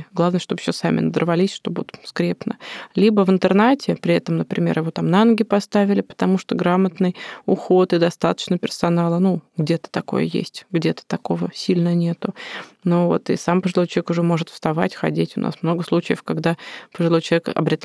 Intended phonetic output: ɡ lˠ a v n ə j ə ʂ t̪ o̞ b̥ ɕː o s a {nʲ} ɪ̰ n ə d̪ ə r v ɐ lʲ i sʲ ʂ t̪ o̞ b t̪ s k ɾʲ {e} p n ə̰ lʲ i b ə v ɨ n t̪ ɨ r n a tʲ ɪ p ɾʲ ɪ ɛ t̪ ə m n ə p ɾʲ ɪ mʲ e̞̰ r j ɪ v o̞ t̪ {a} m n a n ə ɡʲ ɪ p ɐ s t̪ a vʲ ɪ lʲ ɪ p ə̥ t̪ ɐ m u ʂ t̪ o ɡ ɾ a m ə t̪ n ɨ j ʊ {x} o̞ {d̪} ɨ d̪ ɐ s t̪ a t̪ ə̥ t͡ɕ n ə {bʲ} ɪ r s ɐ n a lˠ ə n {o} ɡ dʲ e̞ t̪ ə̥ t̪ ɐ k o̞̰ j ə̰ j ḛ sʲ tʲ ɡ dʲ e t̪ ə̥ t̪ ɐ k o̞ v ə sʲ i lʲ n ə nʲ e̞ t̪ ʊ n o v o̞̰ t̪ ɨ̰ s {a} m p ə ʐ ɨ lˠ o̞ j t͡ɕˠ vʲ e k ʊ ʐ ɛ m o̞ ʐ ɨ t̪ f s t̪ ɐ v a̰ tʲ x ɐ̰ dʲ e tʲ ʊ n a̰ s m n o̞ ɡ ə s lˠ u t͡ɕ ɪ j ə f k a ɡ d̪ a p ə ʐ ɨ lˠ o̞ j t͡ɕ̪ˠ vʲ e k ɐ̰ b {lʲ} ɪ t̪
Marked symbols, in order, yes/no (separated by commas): no, yes, yes, yes, no, no, no, yes, no